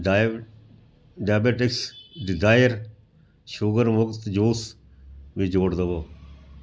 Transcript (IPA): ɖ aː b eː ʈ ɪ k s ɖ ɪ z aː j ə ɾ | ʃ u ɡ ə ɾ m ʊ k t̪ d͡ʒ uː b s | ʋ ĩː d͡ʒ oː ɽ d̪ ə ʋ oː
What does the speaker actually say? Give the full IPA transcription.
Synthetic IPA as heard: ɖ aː b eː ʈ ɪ k s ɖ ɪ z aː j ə ɾ | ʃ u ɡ ə ɾ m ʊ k t̪ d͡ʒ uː s | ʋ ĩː d͡ʒ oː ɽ d̪ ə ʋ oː